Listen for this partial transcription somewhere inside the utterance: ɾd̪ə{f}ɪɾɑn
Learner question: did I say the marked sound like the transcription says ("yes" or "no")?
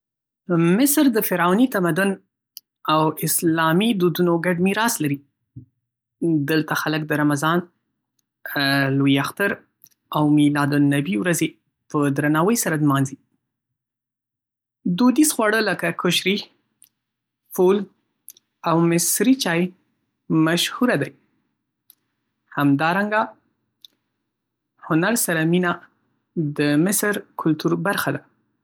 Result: yes